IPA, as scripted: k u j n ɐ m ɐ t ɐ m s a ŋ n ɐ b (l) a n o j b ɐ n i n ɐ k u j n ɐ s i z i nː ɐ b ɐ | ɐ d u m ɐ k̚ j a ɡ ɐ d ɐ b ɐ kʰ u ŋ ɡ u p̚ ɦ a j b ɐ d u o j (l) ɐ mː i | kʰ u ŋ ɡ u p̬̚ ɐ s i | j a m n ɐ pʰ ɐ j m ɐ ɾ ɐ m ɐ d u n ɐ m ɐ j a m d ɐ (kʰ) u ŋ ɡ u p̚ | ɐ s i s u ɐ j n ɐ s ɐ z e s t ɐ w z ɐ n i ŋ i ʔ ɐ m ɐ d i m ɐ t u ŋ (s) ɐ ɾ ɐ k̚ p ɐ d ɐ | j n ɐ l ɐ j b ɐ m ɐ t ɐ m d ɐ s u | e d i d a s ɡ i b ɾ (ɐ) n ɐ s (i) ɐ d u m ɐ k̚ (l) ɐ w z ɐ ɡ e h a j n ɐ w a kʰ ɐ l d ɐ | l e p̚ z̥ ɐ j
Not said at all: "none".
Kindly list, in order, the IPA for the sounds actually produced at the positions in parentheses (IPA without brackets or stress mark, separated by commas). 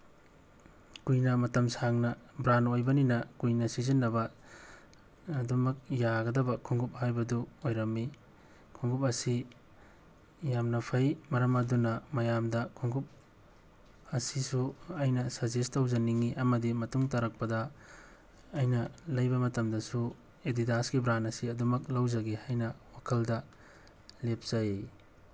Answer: ɾ, ɾ, kʰ, t, a, i, l